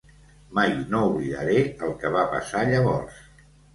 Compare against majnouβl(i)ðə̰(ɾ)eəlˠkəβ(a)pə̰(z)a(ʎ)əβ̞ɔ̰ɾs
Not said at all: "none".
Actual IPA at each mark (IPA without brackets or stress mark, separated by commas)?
i, ɾ, a, s, ʎ